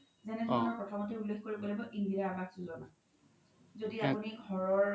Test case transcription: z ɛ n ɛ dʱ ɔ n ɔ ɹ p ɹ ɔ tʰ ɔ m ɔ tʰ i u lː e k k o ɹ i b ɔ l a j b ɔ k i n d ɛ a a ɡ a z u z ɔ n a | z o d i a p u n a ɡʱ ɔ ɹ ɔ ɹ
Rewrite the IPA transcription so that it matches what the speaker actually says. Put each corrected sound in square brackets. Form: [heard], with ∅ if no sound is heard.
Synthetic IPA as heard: z ɛ n ɛ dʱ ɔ n ɔ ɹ p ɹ ɔ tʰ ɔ m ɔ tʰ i u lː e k k o ɹ i b ɔ l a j b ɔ [ʔ] i n d [i] a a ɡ a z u z ɔ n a | z o d i a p u n [i] ɡʱ ɔ ɹ ɔ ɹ